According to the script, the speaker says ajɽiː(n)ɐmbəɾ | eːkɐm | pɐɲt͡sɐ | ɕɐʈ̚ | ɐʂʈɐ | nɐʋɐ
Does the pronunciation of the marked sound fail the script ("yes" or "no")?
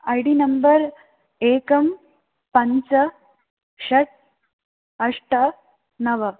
no